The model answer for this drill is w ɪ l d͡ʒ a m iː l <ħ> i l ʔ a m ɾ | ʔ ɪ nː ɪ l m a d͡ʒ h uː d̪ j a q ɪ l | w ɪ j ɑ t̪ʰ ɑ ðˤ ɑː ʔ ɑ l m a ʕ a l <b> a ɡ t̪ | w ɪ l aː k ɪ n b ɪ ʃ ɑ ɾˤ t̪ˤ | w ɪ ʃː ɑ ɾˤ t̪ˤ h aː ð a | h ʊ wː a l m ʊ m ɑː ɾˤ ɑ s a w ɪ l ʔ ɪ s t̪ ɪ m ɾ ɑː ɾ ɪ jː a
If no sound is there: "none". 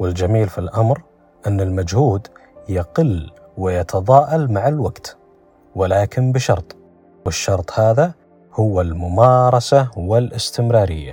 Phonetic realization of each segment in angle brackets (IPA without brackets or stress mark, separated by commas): f, w